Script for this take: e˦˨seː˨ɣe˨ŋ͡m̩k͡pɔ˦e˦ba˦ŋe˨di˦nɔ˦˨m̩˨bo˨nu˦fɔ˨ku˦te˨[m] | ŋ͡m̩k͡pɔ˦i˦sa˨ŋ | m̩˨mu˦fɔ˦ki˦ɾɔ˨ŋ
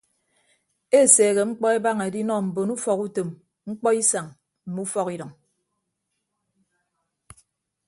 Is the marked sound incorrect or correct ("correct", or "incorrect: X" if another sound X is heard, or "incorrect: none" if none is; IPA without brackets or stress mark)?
correct